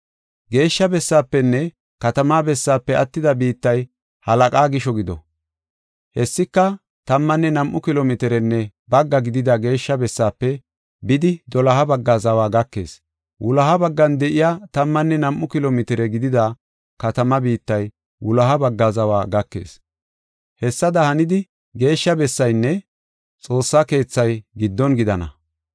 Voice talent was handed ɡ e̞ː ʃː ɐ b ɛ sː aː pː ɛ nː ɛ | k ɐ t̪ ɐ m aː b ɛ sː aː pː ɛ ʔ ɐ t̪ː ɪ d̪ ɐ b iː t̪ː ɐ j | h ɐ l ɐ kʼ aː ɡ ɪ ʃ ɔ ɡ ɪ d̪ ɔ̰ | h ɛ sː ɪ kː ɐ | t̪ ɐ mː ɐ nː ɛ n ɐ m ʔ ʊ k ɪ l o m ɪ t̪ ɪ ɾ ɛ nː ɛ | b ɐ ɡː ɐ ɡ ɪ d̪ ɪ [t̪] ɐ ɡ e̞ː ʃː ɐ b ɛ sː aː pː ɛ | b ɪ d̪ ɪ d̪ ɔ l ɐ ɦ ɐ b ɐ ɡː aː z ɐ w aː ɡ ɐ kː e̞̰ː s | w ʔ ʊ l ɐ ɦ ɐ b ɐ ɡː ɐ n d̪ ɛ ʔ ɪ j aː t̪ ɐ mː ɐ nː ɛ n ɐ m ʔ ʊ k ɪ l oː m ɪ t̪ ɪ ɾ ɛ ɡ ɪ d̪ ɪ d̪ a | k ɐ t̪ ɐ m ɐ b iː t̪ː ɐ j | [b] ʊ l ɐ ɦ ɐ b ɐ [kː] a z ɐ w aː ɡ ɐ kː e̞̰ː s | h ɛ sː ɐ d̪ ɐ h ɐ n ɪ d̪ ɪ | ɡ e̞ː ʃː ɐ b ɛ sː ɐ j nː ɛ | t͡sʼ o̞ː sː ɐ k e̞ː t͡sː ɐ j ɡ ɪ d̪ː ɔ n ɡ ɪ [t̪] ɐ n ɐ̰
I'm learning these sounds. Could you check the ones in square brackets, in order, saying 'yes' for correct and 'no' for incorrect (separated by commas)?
no, no, no, no